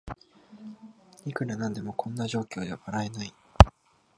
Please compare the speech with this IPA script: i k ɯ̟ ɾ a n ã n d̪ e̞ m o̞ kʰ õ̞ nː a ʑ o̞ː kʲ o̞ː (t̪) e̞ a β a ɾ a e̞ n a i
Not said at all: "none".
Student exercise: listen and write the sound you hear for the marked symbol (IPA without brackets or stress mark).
d̪